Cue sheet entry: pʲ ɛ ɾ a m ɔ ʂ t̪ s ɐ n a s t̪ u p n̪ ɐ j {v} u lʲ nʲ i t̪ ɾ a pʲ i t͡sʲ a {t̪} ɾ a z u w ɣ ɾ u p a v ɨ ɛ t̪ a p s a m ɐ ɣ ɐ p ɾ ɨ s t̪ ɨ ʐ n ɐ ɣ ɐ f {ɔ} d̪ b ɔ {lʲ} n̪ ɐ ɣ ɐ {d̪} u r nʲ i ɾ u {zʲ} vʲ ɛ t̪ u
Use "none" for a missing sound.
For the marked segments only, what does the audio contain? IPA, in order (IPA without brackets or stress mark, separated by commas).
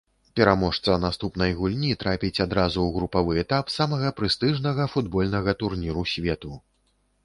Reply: ɣ, d̪, u, lʲ, t̪, sʲ